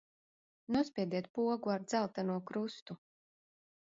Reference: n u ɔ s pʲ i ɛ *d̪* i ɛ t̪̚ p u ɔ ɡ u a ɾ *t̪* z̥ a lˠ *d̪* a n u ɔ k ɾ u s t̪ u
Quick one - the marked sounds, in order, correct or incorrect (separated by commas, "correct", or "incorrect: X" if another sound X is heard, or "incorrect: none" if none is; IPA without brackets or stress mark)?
correct, incorrect: d̪, incorrect: t̪